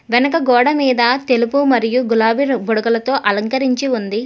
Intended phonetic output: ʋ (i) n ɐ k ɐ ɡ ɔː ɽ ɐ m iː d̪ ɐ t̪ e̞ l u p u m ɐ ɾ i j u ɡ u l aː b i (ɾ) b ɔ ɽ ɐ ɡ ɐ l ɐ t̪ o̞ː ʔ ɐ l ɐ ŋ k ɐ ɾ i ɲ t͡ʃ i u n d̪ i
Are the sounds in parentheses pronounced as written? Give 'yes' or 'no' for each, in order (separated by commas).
no, yes